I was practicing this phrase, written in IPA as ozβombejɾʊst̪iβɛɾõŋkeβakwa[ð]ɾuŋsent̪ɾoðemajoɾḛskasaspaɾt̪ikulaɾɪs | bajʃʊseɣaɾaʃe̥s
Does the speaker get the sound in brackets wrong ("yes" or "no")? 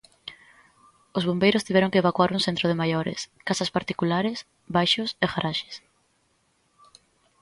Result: yes